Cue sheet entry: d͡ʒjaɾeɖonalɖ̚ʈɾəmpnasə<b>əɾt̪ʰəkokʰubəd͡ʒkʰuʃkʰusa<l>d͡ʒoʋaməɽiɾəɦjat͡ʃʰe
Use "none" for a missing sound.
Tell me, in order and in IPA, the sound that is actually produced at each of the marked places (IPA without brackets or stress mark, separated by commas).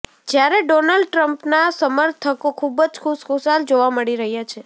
m, l